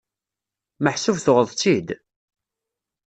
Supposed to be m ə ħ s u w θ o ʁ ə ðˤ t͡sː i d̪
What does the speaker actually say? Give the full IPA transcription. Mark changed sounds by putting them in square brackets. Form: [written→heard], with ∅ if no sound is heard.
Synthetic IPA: m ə ħ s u [w→v] θ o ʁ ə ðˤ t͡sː i d̪